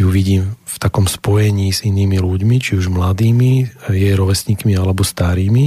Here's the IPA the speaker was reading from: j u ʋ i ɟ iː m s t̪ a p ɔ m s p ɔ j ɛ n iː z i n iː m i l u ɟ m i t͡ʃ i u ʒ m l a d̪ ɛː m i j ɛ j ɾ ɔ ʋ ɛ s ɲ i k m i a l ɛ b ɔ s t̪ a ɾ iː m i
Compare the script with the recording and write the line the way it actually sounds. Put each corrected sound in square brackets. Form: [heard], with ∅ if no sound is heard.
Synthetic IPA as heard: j u ʋ i ɟ iː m [f] t̪ a [k] ɔ m s p ɔ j ɛ [ɲ] iː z i n iː m i l u ɟ m i t͡ʃ i u ʒ m l a d̪ [iː] m i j ɛ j ɾ ɔ ʋ ɛ s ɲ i k m i a l ɛ b ɔ s t̪ a ɾ iː m i